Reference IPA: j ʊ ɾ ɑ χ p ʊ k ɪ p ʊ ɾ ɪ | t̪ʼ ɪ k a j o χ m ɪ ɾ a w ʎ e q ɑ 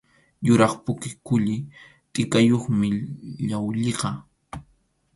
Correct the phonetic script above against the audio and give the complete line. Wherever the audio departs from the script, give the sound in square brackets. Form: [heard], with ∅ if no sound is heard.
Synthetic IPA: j ʊ ɾ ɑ χ p ʊ k ɪ [k] ʊ [ʎ] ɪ | t̪ʼ ɪ k a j o χ m ɪ [ʎ] a w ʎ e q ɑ